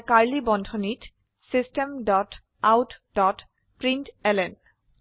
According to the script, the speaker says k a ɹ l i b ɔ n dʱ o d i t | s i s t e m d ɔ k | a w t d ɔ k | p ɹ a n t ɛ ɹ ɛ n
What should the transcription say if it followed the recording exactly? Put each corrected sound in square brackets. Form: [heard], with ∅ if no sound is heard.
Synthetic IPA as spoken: k a ɹ l i b ɔ n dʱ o [n] i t | s i s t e m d ɔ [t] | a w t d ɔ [t] | p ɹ [i] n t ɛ [l] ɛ n